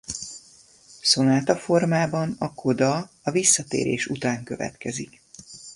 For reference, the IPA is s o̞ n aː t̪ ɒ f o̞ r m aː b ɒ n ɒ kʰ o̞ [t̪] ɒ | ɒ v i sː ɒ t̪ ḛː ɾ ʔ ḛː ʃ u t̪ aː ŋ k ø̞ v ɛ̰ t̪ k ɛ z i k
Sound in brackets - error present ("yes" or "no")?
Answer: yes